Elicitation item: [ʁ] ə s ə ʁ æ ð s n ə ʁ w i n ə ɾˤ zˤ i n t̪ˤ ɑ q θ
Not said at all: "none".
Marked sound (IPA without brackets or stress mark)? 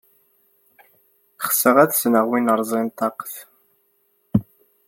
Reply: χ